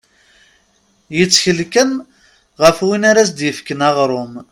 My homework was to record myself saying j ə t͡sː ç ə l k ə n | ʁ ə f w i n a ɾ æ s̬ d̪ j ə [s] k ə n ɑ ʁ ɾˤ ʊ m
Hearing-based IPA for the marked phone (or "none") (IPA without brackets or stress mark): f